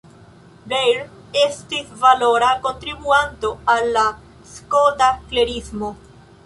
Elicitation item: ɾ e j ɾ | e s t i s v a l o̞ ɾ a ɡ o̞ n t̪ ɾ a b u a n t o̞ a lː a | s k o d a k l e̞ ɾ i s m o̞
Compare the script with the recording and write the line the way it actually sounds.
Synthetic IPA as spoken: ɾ e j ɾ | e s t i s v a l o̞ ɾ a k o̞ n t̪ ɾ i b u a n t o̞ a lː a | s k o d a k l e̞ ɾ i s m o̞

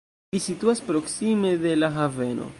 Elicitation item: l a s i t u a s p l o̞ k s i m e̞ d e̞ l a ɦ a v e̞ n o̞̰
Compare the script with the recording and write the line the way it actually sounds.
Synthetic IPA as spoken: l i s i t u a s p ɾ o̞ k s i m e̞ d e̞ l a ɦ a v e̞ n o̞̰

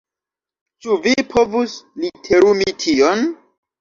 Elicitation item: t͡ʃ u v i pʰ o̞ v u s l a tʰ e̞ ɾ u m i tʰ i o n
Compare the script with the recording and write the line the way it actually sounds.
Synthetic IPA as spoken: t͡ʃ u v i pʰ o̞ v u s l i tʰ e̞ ɾ u m i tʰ i o n

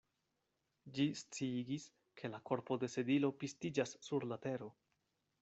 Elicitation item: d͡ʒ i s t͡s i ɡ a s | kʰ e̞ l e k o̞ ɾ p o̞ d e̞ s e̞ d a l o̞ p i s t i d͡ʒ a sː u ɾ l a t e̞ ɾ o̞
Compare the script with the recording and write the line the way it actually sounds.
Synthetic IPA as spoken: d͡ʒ i s t͡s i ɡ i s | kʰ e̞ l a k o̞ ɾ p o̞ d e̞ s e̞ d i l o̞ p i s t i d͡ʒ a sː u ɾ l a t e̞ ɾ o̞

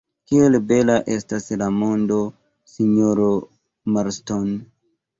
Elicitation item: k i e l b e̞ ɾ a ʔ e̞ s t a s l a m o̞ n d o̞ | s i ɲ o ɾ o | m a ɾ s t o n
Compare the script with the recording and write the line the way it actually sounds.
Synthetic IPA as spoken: k i e l b e̞ l a ʔ e̞ s t a s l a m o̞ n d o̞ | s i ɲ o ɾ o | m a ɾ s t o n

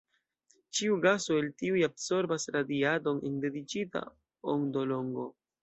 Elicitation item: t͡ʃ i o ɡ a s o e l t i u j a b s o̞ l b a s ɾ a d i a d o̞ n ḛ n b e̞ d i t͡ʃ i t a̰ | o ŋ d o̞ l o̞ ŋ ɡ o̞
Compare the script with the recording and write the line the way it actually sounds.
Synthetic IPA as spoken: t͡ʃ i u ɡ a s o e l t i u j a b s o̞ ɾ b a s ɾ a d i a d o̞ n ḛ n d e̞ d i t͡ʃ i t a̰ | o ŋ d o̞ l o̞ ŋ ɡ o̞

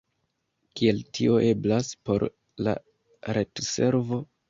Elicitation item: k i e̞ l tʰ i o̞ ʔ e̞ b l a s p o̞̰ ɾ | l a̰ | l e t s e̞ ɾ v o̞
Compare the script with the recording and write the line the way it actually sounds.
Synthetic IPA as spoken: k i e̞ l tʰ i o̞ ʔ e̞ b l a s p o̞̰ ɾ | l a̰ | ɾ e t s e̞ ɾ v o̞

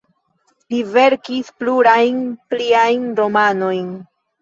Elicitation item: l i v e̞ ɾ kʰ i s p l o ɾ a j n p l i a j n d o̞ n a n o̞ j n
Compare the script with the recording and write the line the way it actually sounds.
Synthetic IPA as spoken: l i v e̞ ɾ k i s p l u ɾ a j n p l i a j n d o̞ m a n o̞ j n

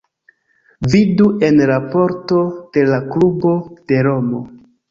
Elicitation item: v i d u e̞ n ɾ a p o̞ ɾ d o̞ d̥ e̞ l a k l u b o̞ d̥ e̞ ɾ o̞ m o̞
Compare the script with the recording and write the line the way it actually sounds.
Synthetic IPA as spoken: v i d u e̞ n ɾ a p o̞ ɾ t o̞ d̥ e̞ l a k l u b o̞ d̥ e̞ ɾ o̞ m o̞

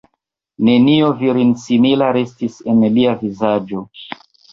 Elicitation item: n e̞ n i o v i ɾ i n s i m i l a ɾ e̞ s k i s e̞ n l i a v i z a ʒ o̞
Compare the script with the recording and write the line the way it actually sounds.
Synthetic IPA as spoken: n e̞ n i o v i ɾ i n s i m i l a ɾ e̞ s t i s e̞ n l i a v i z a d͡ʒ o̞

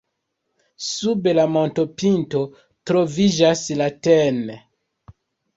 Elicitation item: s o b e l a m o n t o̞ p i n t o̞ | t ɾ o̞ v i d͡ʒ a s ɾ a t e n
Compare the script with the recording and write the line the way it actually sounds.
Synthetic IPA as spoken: s u b e l a m o n t o̞ p i n t o̞ | t ɾ o̞ v i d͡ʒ a s l a t e n

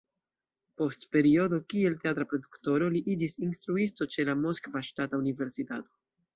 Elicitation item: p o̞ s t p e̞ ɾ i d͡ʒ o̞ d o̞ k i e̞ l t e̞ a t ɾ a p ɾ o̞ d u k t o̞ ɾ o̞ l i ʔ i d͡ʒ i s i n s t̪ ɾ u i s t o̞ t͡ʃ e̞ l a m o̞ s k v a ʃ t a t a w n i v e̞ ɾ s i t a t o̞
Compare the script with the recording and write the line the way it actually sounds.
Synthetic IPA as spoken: p o̞ s t p e̞ ɾ i o̞ d o̞ k i e̞ l t e̞ a t ɾ a p ɾ o̞ d u k t o̞ ɾ o̞ l i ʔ i d͡ʒ i s i n s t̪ ɾ u i s t o̞ t͡ʃ e̞ l a m o̞ s k v a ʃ t a t a u n i v e̞ ɾ s i t a t o̞

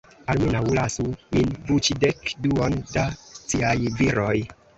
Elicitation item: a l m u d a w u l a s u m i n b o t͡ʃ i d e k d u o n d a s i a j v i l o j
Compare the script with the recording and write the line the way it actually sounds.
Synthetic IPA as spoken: a l m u n a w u l a s u m i n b u t͡ʃ i d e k d u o n d a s i a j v i ɾ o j

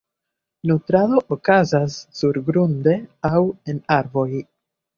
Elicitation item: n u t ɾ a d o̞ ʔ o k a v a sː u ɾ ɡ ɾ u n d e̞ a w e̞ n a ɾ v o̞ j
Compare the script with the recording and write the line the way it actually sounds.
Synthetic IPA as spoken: n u t ɾ a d o̞ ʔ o k a z a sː u ɾ ɡ ɾ u n d e̞ a w e̞ n a ɾ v o̞ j

